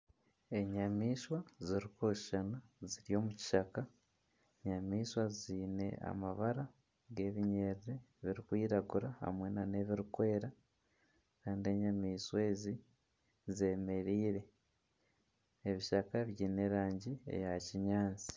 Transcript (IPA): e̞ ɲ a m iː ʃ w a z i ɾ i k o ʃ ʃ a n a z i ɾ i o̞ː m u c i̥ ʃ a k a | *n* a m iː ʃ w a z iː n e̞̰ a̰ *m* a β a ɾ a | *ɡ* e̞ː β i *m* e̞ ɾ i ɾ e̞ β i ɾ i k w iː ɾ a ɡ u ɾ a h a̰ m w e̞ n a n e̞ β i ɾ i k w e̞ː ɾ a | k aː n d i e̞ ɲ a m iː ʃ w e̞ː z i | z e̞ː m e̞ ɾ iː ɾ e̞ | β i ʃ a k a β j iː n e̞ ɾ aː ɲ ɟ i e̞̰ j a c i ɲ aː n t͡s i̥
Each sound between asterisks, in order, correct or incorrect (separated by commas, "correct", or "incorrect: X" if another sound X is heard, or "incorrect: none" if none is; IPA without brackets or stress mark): incorrect: ɲ, correct, correct, incorrect: ɲ